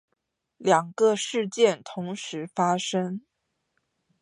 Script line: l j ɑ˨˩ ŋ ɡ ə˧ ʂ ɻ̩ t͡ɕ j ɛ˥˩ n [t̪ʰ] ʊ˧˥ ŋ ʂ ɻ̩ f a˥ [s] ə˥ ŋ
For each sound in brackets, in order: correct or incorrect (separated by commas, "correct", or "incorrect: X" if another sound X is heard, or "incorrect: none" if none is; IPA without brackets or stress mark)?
correct, incorrect: ʂ